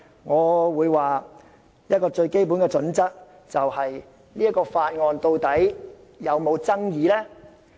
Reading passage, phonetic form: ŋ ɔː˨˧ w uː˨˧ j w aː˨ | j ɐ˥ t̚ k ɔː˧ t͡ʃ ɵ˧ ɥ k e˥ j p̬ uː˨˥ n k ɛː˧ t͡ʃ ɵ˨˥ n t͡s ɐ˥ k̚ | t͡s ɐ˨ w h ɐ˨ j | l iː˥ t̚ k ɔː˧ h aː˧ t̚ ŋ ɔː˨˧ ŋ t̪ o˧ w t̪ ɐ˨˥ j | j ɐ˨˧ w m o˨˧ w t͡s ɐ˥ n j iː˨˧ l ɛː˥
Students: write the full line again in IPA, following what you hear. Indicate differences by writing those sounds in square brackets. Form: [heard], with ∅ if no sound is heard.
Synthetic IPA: ŋ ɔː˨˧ w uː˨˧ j w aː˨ | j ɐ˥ t̚ k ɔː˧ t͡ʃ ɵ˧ ɥ k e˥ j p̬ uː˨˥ n k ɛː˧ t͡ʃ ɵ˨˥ n t͡s ɐ˥ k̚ | t͡s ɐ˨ w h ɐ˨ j | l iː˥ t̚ k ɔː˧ [f] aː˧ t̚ ŋ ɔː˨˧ [n] t̪ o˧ w t̪ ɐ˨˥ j | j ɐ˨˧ w m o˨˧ w t͡s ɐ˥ [ŋ] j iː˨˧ l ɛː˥

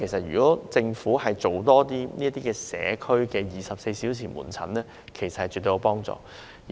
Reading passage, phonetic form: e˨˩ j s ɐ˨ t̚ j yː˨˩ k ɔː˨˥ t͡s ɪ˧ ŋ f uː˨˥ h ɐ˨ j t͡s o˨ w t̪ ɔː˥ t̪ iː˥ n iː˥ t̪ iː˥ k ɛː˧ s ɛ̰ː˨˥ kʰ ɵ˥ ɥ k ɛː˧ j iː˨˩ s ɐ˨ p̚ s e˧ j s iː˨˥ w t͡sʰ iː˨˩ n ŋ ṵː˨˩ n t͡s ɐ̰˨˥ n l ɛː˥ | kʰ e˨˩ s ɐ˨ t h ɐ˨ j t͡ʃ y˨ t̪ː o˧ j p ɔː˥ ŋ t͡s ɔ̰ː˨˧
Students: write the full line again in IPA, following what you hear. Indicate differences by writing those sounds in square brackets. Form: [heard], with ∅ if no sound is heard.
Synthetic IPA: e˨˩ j s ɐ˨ t̚ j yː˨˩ k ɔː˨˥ t͡s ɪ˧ ŋ f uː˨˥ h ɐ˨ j t͡s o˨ w t̪ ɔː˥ t̪ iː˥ n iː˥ t̪ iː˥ k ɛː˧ s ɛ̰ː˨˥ kʰ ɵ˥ ɥ k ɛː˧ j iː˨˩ s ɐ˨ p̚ s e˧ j s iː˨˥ w t͡sʰ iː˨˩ n [m] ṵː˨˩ n [t͡sʰ] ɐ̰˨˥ n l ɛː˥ | kʰ e˨˩ s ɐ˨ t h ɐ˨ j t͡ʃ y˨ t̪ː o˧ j p ɔː˥ ŋ t͡s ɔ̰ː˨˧

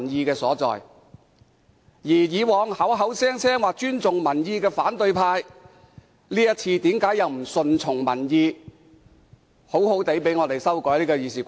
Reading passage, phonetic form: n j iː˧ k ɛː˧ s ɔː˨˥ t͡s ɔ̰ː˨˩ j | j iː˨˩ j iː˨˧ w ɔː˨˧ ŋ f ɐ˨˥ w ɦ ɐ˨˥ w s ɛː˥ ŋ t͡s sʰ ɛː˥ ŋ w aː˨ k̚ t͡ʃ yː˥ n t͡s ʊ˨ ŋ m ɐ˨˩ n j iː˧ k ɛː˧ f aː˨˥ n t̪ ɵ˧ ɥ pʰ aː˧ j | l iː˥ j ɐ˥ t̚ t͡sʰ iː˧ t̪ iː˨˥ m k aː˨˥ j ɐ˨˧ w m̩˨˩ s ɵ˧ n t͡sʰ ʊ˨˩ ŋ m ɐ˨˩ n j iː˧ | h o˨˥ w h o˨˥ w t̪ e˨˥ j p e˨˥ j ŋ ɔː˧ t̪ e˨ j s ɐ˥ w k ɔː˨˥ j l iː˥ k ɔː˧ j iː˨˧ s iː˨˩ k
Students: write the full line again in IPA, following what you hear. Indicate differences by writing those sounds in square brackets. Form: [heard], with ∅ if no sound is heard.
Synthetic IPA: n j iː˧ k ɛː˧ s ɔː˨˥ t͡s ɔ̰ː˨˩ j | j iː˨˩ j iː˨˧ w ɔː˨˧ ŋ [h] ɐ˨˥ w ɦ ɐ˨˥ w s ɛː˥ ŋ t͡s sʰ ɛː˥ ŋ w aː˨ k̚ t͡ʃ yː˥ n t͡s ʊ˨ ŋ m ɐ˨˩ n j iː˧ k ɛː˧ f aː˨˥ n t̪ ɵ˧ ɥ pʰ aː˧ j | l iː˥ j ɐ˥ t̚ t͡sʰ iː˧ t̪ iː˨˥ m k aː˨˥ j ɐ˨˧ w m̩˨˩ s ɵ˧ n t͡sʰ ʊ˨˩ ŋ m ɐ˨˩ n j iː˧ | h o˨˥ w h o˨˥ w t̪ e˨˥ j p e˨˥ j ŋ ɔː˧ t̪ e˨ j s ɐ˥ w k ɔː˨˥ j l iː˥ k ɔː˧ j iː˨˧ s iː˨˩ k

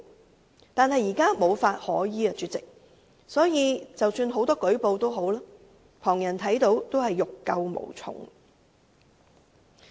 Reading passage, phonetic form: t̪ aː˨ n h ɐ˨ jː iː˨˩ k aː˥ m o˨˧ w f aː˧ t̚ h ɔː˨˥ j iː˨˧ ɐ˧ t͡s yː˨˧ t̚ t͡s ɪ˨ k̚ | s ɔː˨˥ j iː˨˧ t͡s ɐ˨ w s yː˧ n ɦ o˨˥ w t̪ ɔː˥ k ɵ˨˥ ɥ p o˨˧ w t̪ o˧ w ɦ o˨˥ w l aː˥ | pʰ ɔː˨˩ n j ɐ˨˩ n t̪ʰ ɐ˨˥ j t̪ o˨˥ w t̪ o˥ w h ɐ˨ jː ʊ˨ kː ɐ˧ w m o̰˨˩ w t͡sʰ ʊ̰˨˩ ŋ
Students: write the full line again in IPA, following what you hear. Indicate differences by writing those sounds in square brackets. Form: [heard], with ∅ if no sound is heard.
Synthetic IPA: t̪ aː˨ n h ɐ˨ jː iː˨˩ k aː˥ m o˨˧ w f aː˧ t̚ h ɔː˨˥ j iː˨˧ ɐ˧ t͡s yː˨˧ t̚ t͡s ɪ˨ k̚ | s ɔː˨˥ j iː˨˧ t͡s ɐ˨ w s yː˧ n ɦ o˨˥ w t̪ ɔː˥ k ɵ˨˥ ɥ p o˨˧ w t̪ [o˥] w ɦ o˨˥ w l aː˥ | pʰ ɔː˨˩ [ŋ] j ɐ˨˩ n t̪ʰ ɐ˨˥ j t̪ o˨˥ w t̪ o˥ w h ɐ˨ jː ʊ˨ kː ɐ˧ w m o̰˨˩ w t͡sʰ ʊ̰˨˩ ŋ

